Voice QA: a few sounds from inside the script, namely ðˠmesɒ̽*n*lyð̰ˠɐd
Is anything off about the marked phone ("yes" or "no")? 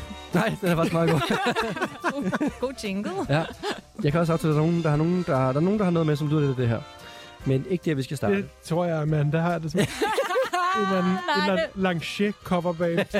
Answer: yes